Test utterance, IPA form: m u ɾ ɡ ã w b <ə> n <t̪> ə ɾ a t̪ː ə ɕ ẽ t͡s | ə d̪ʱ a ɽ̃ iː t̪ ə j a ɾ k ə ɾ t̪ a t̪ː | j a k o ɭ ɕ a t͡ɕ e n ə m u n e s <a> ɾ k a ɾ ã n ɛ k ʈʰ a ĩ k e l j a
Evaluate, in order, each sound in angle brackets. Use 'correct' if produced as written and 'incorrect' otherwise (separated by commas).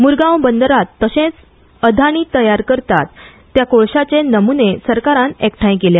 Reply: correct, incorrect, incorrect